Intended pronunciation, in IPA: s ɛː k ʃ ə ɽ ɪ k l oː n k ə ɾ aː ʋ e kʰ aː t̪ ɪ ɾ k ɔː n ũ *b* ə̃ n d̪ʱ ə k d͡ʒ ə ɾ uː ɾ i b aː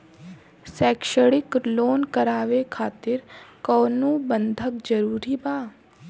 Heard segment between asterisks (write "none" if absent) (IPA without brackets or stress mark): b